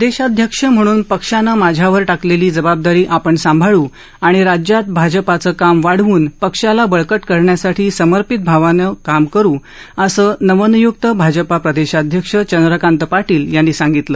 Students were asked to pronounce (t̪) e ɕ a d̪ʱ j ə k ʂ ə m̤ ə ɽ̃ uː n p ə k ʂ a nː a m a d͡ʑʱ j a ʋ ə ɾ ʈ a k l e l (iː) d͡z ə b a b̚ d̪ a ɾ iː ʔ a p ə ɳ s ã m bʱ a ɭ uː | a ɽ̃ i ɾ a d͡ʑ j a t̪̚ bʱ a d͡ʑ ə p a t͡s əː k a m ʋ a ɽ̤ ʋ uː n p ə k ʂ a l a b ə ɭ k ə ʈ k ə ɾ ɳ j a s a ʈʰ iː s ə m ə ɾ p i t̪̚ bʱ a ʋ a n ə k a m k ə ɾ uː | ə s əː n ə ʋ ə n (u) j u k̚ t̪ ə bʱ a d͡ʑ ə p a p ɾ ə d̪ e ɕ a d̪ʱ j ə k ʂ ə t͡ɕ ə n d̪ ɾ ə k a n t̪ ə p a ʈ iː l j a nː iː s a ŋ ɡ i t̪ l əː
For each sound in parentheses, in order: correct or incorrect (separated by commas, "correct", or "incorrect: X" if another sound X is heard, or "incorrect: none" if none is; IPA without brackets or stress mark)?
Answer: incorrect: d̪, correct, correct